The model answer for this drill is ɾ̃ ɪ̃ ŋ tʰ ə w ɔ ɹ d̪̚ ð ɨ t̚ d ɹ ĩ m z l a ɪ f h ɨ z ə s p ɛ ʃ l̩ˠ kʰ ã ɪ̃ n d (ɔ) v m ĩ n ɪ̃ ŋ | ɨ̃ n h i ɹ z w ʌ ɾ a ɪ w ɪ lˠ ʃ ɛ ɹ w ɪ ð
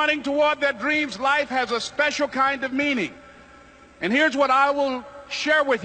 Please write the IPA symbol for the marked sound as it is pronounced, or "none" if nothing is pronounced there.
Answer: ʌ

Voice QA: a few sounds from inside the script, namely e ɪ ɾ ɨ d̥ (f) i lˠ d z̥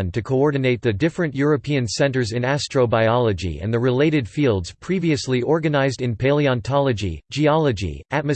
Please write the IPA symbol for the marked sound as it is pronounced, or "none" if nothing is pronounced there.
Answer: f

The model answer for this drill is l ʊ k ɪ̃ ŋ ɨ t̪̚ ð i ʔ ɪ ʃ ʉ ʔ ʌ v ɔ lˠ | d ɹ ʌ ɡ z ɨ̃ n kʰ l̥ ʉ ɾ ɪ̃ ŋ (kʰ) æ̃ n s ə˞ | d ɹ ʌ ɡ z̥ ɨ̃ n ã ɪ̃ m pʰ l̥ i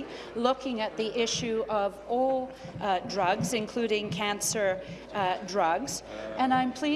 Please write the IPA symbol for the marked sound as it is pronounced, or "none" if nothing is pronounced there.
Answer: kʰ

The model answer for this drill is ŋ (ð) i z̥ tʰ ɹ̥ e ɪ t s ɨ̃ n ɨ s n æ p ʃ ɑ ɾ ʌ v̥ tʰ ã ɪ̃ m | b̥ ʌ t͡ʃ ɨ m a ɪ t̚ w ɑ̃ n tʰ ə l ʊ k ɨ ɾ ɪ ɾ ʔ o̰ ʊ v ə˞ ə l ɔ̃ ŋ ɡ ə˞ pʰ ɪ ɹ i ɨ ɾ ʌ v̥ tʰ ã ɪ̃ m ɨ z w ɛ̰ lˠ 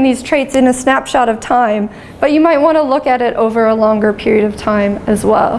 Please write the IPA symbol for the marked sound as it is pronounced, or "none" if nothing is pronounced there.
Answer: ð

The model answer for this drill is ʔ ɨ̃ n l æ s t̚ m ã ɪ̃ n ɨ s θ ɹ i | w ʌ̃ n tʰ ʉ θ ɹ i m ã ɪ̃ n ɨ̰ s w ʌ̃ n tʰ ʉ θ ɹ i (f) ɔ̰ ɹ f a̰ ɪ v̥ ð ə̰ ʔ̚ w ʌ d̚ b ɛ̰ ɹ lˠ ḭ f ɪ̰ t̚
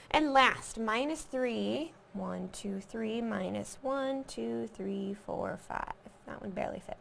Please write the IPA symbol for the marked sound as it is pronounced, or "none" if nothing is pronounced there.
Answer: f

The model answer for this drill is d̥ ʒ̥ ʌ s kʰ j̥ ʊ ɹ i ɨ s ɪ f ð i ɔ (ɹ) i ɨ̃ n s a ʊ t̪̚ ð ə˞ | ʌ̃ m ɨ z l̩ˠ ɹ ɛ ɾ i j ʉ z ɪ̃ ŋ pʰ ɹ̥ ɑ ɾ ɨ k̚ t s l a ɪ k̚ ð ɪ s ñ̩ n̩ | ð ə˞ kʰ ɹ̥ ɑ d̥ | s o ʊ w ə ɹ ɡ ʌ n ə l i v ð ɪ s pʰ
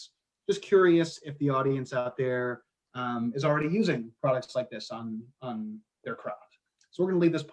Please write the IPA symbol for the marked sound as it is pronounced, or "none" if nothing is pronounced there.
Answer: ɾ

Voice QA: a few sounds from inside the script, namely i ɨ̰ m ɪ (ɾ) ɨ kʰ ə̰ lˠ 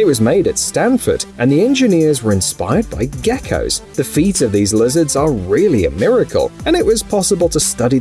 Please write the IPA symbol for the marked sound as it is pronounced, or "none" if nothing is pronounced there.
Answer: ɹ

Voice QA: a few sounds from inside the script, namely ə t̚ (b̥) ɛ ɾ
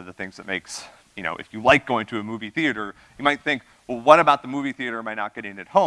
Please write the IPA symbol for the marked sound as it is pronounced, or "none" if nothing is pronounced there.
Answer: ɡ̥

